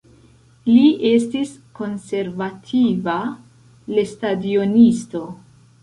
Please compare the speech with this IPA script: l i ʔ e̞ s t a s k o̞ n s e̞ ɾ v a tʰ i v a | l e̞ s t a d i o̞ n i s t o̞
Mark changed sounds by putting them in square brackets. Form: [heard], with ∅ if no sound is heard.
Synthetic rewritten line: l i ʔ e̞ s t [i] s k o̞ n s e̞ ɾ v a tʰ i v a | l e̞ s t a d i o̞ n i s t o̞